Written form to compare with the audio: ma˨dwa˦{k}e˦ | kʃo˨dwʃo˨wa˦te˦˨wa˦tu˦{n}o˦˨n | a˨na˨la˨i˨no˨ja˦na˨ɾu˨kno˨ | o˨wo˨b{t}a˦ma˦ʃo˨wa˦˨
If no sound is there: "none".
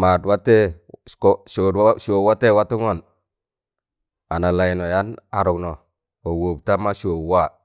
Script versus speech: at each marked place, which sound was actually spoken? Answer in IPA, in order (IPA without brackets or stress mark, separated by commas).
t, ŋ, t